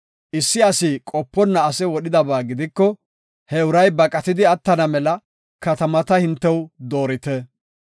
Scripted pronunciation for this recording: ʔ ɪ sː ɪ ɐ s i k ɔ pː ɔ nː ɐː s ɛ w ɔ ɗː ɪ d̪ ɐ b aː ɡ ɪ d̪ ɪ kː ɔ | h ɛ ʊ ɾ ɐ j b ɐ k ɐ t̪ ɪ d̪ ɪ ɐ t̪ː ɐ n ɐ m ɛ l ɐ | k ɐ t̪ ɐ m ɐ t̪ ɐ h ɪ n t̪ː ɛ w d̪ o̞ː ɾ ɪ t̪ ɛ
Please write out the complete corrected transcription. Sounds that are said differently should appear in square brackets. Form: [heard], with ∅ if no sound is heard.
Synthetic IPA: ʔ ɪ sː ɪ ɐ s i [kʼ] ɔ pː ɔ nː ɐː s ɛ w ɔ [ɗ] ɪ d̪ ɐ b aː ɡ ɪ d̪ ɪ kː ɔ | h ɛ ʊ ɾ ɐ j b ɐ [kʼ] ɐ t̪ ɪ d̪ ɪ ɐ t̪ː ɐ n ɐ m ɛ l ɐ | k ɐ t̪ ɐ m ɐ t̪ ɐ h ɪ n t̪ː ɛ w d̪ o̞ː ɾ ɪ t̪ ɛ